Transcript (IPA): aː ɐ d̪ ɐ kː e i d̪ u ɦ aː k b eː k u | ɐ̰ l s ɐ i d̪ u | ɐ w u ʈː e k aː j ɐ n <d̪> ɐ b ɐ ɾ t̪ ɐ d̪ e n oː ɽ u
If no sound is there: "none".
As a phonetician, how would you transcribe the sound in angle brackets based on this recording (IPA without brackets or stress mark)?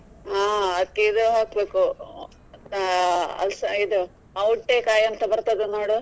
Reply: t̪